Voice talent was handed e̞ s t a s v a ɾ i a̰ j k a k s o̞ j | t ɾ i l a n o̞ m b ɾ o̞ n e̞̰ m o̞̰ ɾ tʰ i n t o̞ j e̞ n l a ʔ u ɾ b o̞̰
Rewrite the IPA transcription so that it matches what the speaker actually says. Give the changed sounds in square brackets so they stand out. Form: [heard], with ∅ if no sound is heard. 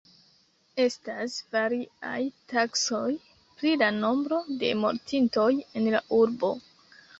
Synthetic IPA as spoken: e̞ s t a s v a ɾ i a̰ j [t] a k s o̞ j | [p] ɾ i l a n o̞ m b ɾ o̞ [d] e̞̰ m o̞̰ ɾ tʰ i n t o̞ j e̞ n l a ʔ u ɾ b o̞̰